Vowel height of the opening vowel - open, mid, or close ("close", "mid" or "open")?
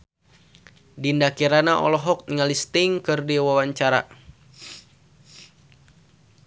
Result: close